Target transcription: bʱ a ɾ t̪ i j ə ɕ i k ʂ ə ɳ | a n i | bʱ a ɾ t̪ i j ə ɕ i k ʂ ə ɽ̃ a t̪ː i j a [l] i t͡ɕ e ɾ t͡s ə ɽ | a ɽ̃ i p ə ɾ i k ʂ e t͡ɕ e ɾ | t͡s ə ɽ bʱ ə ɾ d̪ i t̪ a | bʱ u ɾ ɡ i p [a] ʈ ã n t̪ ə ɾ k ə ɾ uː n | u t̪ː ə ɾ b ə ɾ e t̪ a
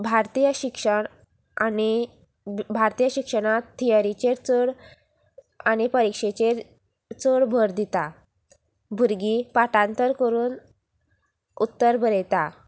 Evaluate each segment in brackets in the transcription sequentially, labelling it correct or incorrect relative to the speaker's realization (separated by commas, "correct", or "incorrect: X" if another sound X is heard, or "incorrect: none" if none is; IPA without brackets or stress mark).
incorrect: ɾ, correct